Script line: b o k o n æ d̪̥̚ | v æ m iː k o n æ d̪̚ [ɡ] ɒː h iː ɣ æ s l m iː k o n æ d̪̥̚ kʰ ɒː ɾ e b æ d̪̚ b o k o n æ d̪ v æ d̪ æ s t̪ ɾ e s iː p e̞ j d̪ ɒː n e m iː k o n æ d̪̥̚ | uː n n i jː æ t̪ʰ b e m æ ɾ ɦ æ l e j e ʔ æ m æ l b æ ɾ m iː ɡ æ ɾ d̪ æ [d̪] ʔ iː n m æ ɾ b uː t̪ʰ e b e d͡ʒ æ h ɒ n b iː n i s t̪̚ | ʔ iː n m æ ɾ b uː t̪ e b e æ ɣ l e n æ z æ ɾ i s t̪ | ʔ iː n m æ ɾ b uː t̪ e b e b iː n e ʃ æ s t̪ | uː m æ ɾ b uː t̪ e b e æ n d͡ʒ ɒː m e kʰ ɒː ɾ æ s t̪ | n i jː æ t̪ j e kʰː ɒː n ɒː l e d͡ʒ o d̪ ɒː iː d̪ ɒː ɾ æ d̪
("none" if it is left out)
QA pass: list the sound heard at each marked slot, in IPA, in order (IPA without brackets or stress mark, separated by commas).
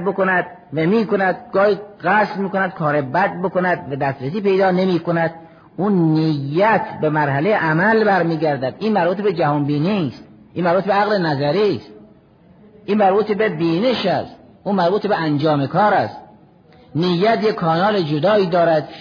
ɡ, d̪